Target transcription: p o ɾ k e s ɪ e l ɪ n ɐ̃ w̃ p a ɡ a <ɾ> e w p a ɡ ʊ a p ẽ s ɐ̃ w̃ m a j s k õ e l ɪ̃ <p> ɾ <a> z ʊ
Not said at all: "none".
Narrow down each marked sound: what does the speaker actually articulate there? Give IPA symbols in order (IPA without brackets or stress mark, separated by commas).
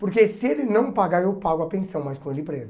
ɾ, p, e